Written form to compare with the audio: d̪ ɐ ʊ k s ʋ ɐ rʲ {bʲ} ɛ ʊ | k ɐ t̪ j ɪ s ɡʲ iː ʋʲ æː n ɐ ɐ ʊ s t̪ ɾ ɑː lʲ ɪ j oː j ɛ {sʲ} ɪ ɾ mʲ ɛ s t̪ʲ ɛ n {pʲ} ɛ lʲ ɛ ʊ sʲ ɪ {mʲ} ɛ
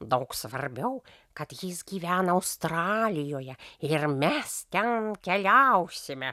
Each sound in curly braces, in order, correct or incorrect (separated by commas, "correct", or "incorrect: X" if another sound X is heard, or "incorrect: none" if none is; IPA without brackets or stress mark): correct, incorrect: none, incorrect: kʲ, correct